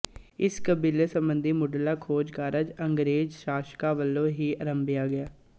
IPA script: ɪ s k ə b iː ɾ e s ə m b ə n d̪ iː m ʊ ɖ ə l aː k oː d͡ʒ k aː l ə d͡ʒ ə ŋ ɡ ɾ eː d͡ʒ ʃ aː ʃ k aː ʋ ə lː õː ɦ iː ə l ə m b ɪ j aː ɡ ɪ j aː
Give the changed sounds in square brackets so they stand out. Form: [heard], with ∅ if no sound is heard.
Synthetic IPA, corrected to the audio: ɪ s k ə b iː [l] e s ə m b ə n d̪ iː m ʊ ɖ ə l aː [kʰ] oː d͡ʒ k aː [ɾ] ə d͡ʒ ə ŋ ɡ ɾ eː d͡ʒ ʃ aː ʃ k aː ʋ ə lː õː ɦ iː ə [ɾ] ə m b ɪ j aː ɡ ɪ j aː

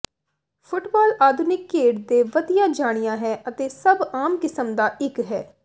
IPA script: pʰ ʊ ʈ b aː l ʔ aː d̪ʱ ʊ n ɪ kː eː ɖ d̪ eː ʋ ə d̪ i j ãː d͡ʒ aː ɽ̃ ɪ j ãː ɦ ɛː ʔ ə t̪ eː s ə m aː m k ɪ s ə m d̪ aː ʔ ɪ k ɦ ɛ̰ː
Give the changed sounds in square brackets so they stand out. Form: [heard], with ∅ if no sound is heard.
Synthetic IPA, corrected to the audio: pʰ ʊ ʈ b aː l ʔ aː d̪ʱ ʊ n ɪ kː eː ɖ d̪ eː ʋ ə d̪ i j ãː d͡ʒ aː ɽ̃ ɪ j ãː ɦ ɛː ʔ ə t̪ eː s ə [b] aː m k ɪ s ə m d̪ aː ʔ ɪ k ɦ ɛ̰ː

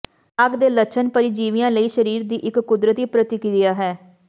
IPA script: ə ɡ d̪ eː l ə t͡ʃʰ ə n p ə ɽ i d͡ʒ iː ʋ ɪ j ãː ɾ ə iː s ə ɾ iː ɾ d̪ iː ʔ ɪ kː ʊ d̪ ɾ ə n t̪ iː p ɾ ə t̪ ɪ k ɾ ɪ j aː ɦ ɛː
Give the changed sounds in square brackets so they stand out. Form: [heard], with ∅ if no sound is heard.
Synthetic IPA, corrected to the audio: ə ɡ d̪ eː l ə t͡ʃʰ ə n p ə [ɾ] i d͡ʒ iː ʋ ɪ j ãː [l] ə iː [ʃ] ə ɾ iː ɾ d̪ iː ʔ ɪ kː ʊ d̪ ɾ ə [∅] t̪ iː p ɾ ə t̪ ɪ k ɾ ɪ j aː ɦ ɛː

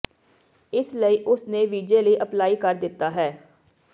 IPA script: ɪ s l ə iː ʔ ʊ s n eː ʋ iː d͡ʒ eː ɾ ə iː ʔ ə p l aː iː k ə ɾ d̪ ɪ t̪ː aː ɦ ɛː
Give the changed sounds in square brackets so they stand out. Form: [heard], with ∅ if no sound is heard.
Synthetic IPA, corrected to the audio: ɪ s l ə iː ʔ ʊ s n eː ʋ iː d͡ʒ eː [l] ə iː ʔ ə p l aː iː k ə ɾ d̪ ɪ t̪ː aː ɦ ɛː

